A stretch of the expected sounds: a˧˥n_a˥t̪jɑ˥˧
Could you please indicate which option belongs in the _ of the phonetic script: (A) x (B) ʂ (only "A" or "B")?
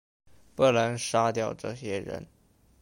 B